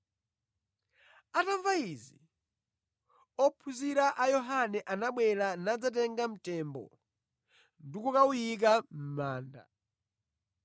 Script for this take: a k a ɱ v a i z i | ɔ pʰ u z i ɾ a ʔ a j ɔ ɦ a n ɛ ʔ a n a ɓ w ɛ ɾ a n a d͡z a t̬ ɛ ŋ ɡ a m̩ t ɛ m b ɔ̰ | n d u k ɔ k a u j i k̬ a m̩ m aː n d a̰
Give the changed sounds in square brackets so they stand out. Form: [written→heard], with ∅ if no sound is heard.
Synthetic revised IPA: a [k→t] a ɱ v a i z i | ɔ pʰ u z i ɾ a ʔ a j ɔ ɦ a n ɛ ʔ a n a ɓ w ɛ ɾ a n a d͡z a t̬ ɛ ŋ ɡ a m̩ t ɛ m b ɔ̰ | n d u k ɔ k a u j i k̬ a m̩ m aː n d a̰